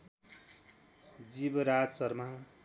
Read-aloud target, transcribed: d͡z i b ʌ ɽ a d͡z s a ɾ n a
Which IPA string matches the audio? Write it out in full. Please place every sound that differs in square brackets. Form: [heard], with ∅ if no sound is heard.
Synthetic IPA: d͡z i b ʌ [ɾ] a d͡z s [ʌ] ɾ [m] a